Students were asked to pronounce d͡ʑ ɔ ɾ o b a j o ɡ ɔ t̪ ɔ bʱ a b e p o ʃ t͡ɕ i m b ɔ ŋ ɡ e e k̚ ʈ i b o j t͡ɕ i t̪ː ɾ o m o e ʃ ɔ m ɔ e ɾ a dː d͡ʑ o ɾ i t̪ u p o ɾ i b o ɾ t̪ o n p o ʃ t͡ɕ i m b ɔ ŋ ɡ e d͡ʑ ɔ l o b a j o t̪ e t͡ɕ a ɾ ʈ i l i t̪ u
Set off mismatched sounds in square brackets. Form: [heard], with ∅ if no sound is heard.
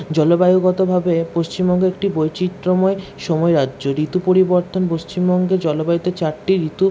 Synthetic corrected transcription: d͡ʑ ɔ [l] o b a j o ɡ ɔ t̪ [o] bʱ a b e p o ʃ t͡ɕ i m b ɔ ŋ ɡ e e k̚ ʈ i b o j t͡ɕ i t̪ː ɾ o m [ɔ] e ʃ ɔ m ɔ e ɾ a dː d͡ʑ o ɾ i t̪ u p o ɾ i b o ɾ t̪ o n p o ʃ t͡ɕ i m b ɔ ŋ ɡ e d͡ʑ ɔ l o b a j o t̪ e t͡ɕ a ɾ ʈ i [ɾ] i t̪ u